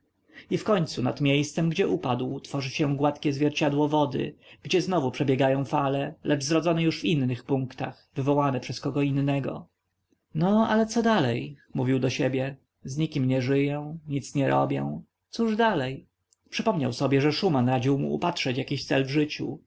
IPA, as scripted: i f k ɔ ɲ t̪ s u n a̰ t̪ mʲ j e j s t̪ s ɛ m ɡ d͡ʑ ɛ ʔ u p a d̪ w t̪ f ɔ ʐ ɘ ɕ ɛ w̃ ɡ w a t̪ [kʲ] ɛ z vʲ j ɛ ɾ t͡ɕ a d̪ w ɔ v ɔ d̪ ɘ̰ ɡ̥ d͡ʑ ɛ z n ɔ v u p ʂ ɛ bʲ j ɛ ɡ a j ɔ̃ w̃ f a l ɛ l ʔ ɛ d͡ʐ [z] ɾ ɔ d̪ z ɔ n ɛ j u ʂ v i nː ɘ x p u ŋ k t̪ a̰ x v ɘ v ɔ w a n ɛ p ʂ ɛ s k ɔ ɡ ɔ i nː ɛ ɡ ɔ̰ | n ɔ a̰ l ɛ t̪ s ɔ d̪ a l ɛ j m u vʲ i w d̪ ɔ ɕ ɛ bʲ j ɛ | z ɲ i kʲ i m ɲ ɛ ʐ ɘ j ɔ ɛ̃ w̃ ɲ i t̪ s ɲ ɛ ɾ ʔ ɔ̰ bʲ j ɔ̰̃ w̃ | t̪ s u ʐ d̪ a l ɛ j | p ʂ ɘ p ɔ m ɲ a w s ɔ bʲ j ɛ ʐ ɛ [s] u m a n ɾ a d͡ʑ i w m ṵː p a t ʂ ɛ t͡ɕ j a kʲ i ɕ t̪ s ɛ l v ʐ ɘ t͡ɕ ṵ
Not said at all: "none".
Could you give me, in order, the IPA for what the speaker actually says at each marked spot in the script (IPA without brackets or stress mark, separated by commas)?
kʲ, z, ʂ